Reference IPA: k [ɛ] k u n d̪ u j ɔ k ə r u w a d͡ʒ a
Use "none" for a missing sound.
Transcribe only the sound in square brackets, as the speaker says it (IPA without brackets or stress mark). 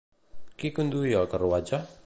i